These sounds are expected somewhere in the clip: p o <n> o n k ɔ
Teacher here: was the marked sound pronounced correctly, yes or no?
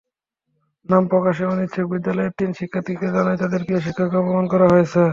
no